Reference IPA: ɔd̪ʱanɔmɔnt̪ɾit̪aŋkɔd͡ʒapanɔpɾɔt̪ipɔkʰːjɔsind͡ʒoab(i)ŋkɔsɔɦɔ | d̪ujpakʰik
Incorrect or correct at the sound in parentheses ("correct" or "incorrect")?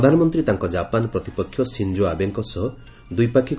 incorrect